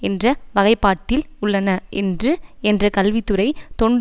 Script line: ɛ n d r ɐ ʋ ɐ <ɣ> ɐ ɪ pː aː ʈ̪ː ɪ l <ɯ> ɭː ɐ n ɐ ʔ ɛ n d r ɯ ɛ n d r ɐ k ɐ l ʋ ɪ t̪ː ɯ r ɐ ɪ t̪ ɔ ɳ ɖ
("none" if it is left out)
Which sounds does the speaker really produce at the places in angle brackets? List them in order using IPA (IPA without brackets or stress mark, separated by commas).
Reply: ɣ, ʊ